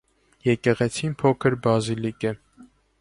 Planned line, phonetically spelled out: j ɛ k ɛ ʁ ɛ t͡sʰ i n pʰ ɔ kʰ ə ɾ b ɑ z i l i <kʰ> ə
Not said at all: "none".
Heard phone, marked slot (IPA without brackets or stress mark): k